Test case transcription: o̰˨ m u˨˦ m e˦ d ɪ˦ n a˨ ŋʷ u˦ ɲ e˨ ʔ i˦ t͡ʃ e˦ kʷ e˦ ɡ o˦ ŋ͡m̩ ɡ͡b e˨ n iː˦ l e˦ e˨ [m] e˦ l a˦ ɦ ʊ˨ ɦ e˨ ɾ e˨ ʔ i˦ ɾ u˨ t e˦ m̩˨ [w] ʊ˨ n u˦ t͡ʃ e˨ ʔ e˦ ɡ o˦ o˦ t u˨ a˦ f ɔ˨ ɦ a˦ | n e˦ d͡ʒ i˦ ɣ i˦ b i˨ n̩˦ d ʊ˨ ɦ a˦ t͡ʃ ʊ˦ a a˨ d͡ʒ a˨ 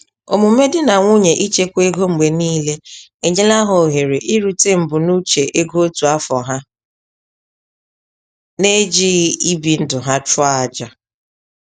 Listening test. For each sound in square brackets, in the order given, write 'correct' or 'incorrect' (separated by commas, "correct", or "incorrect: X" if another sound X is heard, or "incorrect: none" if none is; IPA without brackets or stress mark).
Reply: incorrect: ɲ, incorrect: b